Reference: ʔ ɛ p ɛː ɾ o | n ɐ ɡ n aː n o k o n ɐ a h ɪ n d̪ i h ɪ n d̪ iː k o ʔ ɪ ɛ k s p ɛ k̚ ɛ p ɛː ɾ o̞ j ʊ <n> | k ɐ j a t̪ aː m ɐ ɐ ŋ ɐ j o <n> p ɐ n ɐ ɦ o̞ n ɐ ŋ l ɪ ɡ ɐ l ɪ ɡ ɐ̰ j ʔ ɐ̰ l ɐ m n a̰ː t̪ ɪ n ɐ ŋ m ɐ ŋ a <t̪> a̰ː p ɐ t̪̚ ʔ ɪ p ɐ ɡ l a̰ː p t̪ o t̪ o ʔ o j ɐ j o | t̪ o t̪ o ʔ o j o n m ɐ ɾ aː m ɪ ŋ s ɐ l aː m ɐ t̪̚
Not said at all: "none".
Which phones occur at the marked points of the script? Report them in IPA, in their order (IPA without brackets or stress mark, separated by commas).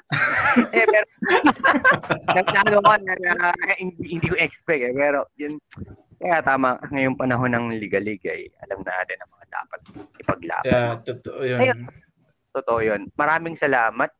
n, ŋ, d̪